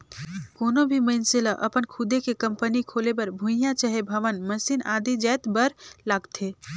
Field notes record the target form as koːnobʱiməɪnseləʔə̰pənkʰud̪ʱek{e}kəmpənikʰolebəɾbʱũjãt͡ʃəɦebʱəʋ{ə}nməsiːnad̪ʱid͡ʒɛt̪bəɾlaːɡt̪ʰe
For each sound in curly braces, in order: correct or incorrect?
correct, correct

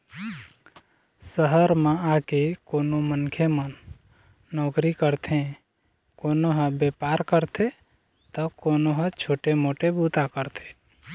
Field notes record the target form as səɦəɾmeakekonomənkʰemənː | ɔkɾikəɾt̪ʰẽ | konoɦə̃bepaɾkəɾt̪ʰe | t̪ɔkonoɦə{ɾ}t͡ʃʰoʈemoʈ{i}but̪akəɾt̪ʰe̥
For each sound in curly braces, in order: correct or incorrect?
incorrect, incorrect

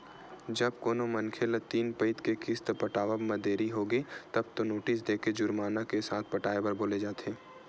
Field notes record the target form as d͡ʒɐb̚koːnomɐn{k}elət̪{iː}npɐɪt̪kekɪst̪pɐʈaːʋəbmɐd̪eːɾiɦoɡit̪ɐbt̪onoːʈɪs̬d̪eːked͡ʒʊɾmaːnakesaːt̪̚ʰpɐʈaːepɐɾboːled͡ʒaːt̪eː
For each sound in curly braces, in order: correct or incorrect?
incorrect, correct

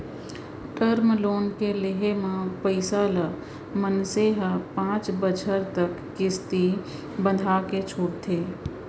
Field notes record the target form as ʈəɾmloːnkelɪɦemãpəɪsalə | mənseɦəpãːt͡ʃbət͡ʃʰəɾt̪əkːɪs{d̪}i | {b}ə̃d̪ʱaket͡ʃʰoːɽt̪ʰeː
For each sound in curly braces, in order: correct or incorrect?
incorrect, correct

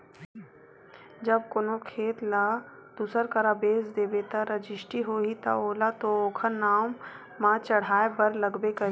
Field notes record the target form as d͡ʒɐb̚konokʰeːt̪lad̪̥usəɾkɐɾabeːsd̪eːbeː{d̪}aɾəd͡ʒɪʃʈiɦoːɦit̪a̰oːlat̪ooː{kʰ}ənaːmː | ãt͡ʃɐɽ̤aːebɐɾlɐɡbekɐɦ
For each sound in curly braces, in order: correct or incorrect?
incorrect, correct

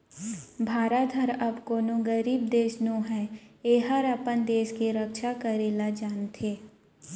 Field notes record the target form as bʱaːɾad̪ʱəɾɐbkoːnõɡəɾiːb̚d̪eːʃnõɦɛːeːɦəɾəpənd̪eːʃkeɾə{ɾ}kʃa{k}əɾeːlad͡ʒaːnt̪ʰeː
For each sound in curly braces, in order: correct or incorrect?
incorrect, correct

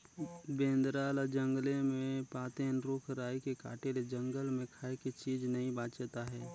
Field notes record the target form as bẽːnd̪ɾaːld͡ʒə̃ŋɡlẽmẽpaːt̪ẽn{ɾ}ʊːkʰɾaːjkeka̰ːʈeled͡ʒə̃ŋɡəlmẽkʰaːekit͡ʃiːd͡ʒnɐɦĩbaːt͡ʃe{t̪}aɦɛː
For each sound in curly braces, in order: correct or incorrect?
correct, correct

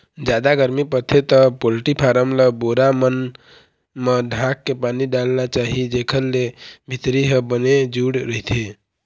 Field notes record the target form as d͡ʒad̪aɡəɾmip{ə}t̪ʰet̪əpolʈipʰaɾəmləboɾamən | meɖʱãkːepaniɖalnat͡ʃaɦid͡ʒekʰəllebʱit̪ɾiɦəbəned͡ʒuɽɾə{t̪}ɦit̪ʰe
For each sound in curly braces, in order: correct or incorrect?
correct, incorrect

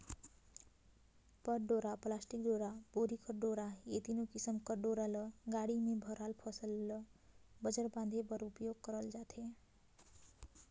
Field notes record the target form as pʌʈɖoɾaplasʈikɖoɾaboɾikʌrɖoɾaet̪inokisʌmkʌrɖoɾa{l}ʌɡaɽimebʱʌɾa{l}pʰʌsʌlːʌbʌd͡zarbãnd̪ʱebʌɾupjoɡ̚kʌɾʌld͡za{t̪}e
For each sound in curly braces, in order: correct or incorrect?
correct, correct, incorrect

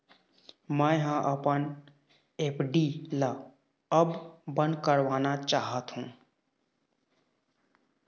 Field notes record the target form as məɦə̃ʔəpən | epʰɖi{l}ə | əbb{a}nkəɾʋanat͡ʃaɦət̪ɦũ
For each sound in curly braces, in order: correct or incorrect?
correct, incorrect

